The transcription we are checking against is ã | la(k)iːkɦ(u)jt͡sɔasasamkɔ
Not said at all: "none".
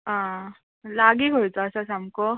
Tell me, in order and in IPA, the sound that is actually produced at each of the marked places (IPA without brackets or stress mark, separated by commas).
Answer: ɡ, o